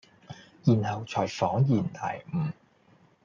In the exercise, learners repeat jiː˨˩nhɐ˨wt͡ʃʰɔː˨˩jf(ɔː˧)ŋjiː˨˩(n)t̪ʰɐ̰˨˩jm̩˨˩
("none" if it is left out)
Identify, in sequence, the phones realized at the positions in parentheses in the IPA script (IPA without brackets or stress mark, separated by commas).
ɔː˨˥, n